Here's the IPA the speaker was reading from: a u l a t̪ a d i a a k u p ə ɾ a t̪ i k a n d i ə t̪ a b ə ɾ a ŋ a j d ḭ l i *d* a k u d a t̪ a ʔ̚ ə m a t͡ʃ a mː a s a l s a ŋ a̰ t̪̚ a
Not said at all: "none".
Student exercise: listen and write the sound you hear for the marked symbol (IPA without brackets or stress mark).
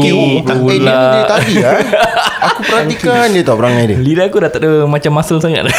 d